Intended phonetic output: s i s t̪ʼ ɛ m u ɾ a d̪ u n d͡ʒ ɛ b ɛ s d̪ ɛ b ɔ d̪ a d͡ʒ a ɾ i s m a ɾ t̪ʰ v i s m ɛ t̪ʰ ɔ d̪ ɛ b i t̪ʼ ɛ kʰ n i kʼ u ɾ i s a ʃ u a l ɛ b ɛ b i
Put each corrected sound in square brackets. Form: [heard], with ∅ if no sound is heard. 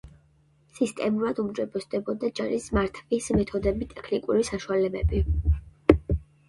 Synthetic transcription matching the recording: s i s t̪ʼ ɛ m u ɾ a d̪ u [m] d͡ʒ ɛ b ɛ s d̪ ɛ b ɔ d̪ a d͡ʒ a ɾ i s m a ɾ t̪ʰ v i s m ɛ t̪ʰ ɔ d̪ ɛ b i t̪ʼ ɛ kʰ n i kʼ u ɾ i s a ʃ u a l ɛ b ɛ b i